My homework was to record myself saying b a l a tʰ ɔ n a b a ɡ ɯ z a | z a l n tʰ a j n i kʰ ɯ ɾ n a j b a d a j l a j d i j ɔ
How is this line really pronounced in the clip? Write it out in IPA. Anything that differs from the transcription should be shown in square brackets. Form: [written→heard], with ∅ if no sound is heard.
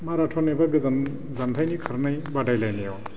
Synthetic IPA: [b→m] a [l→ɾ] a tʰ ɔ n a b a ɡ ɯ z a | z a [l→∅] n tʰ a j n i kʰ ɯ ɾ n a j b a d a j l a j [d→n] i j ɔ